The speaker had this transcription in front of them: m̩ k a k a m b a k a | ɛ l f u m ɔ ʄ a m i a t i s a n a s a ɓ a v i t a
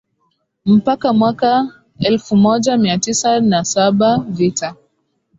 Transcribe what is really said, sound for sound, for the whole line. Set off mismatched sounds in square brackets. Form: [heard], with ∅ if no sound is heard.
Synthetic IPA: m̩ [p] a k a m [w] a k a | ɛ l f u m ɔ ʄ a m i a t i s a n a s a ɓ a v i t a